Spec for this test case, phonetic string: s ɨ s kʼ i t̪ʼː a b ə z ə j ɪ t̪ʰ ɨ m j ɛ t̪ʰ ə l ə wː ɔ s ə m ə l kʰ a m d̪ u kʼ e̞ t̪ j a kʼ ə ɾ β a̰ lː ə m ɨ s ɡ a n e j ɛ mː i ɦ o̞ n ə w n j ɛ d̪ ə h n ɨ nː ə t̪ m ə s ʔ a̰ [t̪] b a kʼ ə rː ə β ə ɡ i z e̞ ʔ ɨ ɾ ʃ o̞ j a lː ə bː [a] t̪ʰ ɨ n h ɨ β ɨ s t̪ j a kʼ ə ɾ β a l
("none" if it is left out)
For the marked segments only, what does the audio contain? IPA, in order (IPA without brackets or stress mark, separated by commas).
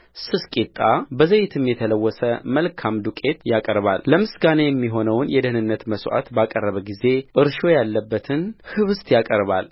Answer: t̪, ə